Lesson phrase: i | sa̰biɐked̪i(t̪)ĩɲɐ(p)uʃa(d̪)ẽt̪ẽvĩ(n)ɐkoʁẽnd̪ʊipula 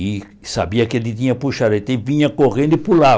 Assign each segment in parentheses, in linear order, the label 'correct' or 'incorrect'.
correct, correct, correct, incorrect: ɲ

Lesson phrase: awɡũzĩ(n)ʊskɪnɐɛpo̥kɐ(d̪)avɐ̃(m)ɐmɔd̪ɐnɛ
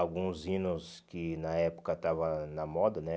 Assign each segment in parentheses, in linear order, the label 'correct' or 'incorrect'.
correct, incorrect: t̪, incorrect: n

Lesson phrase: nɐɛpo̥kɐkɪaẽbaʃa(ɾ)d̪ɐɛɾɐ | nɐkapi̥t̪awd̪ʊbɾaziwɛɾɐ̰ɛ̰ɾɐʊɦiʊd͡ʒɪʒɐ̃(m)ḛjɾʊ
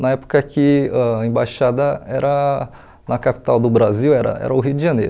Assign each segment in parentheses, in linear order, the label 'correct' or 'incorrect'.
incorrect: none, incorrect: n

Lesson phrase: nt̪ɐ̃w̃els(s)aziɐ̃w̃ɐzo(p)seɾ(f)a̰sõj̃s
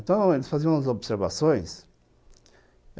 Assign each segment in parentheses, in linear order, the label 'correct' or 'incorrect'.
incorrect: f, incorrect: b, incorrect: v

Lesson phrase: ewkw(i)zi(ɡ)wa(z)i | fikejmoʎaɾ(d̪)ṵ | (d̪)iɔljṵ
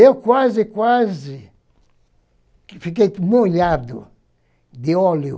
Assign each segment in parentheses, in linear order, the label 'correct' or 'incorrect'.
incorrect: a, incorrect: k, correct, correct, correct

